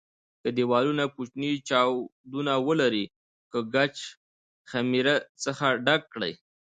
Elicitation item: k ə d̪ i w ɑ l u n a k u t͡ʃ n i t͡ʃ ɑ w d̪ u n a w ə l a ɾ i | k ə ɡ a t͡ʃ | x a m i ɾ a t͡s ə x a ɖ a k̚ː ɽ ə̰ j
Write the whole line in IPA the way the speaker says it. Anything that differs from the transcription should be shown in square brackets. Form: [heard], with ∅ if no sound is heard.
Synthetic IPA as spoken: k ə d̪ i w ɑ l u n a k u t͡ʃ n i t͡ʃ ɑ w d̪ u n a w ə l a ɾ i | k ə ɡ a t͡ʃ | x a m i ɾ a t͡s ə x a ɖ a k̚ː ɽ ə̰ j